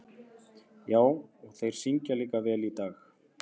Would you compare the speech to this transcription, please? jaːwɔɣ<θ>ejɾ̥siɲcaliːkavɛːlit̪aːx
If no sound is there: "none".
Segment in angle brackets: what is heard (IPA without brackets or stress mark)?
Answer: θ